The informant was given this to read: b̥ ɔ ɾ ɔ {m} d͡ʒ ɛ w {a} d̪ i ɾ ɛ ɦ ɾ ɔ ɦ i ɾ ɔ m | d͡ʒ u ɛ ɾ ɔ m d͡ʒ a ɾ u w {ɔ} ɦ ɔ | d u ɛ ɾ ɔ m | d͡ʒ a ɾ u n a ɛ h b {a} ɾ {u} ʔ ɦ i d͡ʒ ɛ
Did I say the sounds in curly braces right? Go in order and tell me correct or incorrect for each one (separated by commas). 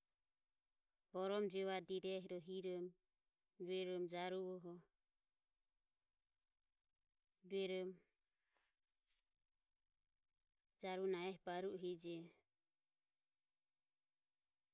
correct, correct, correct, correct, correct